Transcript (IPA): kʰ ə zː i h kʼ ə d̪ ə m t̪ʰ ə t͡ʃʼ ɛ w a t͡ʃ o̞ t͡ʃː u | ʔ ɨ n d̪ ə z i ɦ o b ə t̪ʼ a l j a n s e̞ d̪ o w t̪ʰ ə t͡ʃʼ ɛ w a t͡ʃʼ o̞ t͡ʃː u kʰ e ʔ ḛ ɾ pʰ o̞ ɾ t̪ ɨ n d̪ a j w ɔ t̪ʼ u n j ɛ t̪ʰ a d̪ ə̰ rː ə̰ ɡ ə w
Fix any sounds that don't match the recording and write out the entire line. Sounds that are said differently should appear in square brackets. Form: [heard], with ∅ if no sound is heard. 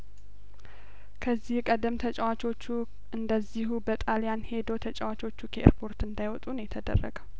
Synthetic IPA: kʰ ə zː i h kʼ ə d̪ ə m t̪ʰ ə t͡ʃʼ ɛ w a t͡ʃ o̞ t͡ʃː u | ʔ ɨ n d̪ ə z i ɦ [u] b ə t̪ʼ a l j a n [h] e̞ d̪ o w t̪ʰ ə t͡ʃʼ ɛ w a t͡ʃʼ o̞ t͡ʃː u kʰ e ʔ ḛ ɾ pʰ o̞ ɾ t̪ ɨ n d̪ a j w ɔ t̪ʼ u n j ɛ t̪ʰ [ə] d̪ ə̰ rː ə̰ ɡ ə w